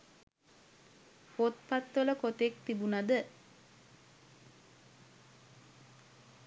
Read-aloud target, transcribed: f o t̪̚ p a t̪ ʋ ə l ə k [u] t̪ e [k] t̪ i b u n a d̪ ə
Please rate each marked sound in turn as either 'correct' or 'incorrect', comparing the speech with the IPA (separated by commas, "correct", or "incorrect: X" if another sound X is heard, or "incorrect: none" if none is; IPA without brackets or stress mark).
incorrect: o, correct